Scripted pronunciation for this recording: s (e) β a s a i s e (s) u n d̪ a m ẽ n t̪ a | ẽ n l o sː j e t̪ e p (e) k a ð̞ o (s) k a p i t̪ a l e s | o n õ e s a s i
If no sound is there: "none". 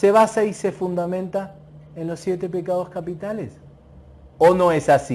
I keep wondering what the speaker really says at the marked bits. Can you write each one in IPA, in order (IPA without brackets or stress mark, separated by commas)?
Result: e, f, e, s